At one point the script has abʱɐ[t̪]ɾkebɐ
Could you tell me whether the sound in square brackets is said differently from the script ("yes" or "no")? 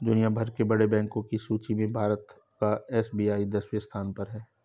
yes